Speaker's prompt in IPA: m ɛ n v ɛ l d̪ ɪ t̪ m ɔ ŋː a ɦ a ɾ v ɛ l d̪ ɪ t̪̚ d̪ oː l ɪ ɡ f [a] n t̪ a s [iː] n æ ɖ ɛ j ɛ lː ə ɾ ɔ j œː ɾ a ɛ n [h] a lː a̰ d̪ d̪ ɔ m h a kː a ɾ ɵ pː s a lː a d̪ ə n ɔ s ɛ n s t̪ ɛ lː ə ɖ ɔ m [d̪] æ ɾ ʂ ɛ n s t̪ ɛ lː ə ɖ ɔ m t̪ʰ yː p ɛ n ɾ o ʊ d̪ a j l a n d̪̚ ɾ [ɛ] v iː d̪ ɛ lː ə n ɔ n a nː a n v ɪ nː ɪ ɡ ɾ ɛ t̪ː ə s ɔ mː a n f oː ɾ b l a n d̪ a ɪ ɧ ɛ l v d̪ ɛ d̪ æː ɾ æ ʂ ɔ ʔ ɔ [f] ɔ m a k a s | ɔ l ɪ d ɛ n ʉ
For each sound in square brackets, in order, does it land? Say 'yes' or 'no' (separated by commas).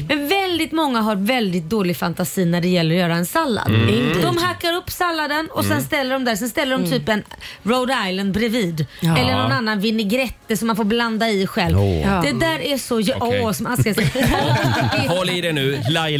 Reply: yes, yes, no, yes, yes, no